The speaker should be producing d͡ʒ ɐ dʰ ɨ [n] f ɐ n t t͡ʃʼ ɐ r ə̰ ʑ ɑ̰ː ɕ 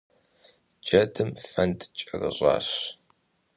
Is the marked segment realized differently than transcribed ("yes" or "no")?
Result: yes